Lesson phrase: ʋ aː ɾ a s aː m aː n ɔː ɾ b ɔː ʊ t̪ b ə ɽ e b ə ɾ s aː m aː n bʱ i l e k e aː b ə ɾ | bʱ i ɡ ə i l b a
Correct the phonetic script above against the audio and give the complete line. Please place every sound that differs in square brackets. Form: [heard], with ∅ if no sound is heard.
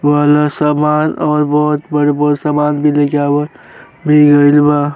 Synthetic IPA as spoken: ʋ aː [l] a s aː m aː n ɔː ɾ b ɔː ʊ t̪ b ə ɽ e b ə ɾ s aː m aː n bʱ i l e k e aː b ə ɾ | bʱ i ɡ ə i l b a